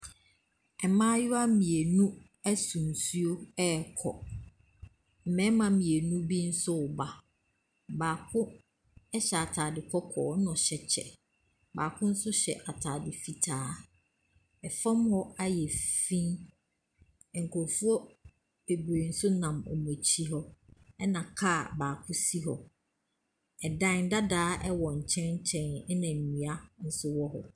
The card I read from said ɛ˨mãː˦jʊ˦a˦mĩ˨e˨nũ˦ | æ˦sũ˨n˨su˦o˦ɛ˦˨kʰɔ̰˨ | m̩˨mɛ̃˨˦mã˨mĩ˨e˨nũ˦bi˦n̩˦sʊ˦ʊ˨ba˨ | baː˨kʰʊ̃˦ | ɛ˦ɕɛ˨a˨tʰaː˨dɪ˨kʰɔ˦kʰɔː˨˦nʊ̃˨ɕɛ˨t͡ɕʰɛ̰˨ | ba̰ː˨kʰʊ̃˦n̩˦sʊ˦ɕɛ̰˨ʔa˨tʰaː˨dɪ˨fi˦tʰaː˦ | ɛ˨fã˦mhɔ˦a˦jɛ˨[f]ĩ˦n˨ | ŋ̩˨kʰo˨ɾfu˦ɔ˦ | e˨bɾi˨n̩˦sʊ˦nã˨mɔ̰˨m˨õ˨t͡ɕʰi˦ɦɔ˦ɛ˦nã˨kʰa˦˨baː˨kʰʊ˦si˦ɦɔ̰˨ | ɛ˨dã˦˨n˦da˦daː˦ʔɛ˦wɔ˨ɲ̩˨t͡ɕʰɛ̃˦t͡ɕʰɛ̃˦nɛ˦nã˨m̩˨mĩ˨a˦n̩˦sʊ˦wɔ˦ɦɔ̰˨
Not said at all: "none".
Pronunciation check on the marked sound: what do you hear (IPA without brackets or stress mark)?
f